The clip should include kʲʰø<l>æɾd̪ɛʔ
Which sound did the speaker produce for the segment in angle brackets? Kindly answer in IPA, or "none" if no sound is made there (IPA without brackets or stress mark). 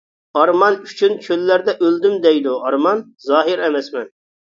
lː